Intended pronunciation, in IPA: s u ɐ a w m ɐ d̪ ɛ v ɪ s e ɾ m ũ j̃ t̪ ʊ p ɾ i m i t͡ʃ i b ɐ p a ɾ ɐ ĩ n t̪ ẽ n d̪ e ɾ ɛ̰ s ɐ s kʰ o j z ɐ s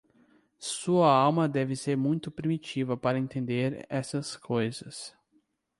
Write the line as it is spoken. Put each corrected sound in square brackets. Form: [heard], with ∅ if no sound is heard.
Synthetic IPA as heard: s u ɐ a w m ɐ d̪ ɛ v ɪ s e ɾ m ũ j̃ t̪ ʊ p ɾ i m i t͡ʃ i [v] ɐ p a ɾ ɐ [ẽ] n t̪ ẽ n d̪ e ɾ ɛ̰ s ɐ s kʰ o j z ɐ s